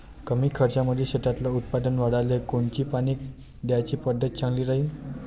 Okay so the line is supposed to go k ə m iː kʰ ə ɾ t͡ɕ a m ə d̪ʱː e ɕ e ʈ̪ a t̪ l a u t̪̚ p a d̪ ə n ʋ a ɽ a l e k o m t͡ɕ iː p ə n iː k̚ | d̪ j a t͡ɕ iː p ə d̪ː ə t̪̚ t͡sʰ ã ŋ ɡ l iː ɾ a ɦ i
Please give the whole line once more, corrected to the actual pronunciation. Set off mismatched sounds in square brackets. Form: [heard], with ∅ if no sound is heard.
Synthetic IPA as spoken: k ə m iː kʰ ə ɾ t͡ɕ a m ə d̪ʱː e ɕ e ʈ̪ a t̪ l a u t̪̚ p a d̪ ə n ʋ a ɽ a l e k o [ɳ] t͡ɕ iː p [a] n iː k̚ | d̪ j a t͡ɕ iː p ə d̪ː ə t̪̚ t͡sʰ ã ŋ ɡ l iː ɾ a ɦ i